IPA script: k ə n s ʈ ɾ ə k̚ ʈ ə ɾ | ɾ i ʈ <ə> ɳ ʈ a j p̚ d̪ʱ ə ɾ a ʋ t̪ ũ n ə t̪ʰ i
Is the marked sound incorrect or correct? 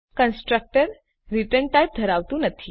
correct